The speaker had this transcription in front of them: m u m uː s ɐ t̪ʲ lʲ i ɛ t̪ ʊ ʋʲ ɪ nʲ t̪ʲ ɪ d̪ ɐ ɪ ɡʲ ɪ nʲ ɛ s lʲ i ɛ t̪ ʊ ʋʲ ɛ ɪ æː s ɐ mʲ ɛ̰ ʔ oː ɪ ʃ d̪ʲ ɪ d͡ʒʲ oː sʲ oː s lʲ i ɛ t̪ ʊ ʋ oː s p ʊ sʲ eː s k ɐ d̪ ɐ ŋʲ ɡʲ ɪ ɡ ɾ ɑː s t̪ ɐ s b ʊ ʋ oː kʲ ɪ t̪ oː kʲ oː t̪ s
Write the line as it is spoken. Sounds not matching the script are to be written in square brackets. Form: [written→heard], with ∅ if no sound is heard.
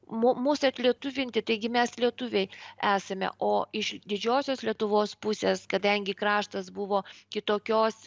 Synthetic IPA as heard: m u m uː s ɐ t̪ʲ lʲ i ɛ t̪ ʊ ʋʲ ɪ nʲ t̪ʲ ɪ [d̪→t̪] ɐ ɪ ɡʲ ɪ [nʲ→mʲ] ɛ s lʲ i ɛ t̪ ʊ ʋʲ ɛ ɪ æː s ɐ mʲ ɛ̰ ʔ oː ɪ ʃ d̪ʲ ɪ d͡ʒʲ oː sʲ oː s lʲ i ɛ t̪ ʊ ʋ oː s p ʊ sʲ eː s k ɐ d̪ ɐ ŋʲ ɡʲ ɪ [ɡ→k] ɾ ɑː [s→ʃ] t̪ ɐ s b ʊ ʋ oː kʲ ɪ t̪ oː kʲ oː [t̪→∅] s